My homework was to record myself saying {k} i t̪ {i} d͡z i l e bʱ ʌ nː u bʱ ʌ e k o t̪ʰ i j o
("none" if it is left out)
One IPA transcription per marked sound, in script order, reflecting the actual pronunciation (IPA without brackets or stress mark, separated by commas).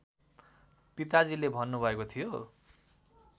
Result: p, a